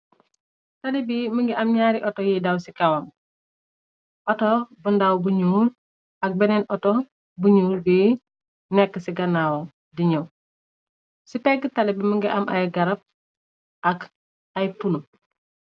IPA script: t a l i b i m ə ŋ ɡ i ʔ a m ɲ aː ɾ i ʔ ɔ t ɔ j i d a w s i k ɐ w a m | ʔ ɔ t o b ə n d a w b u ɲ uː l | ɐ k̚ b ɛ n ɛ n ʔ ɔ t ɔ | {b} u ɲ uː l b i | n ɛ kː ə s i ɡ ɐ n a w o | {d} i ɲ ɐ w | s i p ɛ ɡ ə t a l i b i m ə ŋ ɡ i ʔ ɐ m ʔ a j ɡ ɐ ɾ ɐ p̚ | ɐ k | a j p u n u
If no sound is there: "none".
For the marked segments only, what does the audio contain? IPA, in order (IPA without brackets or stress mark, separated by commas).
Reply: b, d